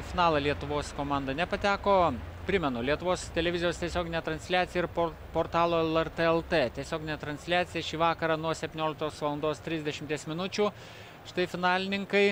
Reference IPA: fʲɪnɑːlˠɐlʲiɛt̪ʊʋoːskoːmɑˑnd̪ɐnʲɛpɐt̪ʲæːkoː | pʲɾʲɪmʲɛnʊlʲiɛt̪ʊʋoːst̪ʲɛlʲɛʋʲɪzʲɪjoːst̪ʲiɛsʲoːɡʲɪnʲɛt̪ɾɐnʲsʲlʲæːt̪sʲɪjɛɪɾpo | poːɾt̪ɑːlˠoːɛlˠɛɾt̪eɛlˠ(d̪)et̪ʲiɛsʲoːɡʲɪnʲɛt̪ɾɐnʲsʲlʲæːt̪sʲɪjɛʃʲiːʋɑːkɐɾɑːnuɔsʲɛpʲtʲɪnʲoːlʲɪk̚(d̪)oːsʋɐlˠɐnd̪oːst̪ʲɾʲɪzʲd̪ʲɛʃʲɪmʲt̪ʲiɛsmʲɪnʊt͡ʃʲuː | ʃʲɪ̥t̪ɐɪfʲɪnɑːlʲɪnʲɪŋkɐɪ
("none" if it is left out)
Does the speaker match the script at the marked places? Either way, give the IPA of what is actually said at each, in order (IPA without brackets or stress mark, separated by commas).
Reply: t̪, t̪